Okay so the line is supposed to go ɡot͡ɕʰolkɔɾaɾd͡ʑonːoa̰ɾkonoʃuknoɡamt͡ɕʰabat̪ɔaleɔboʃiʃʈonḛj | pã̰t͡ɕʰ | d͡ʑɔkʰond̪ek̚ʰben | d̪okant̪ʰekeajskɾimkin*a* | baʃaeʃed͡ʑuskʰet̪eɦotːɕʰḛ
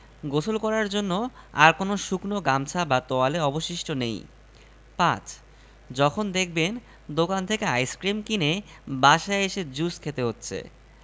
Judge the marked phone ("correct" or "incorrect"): incorrect